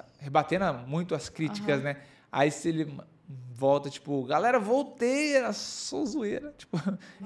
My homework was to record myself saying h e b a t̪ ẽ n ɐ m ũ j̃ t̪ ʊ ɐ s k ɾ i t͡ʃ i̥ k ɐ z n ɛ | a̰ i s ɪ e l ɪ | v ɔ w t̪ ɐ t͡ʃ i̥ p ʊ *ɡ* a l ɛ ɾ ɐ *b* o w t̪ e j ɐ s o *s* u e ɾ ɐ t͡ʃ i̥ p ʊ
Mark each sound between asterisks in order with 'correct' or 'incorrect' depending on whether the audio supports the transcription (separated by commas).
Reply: correct, incorrect, incorrect